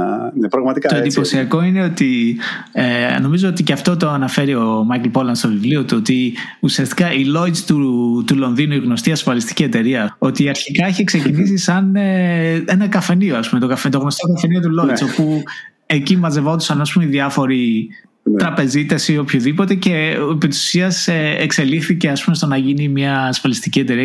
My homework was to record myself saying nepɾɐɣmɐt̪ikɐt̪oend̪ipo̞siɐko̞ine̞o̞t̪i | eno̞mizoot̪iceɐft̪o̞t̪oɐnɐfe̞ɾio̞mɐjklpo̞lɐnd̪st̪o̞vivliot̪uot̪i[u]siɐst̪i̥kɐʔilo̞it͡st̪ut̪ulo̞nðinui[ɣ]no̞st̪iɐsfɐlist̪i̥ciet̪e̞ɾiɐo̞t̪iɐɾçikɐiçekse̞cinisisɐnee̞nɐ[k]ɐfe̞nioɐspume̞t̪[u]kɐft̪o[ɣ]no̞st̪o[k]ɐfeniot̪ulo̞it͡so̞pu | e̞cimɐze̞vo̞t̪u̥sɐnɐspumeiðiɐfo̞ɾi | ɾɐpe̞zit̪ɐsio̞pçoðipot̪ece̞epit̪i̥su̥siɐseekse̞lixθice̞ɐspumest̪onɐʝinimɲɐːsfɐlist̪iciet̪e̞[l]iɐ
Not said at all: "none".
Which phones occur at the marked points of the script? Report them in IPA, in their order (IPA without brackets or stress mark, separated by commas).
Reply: u, ɣ, k, o, ɣ, k, ɾ